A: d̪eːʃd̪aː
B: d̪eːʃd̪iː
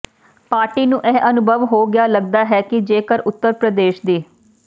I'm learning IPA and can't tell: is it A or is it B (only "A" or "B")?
B